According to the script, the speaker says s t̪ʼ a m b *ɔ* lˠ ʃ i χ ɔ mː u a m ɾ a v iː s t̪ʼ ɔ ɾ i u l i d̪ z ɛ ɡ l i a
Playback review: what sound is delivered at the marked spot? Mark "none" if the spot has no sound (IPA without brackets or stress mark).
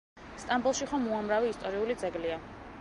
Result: u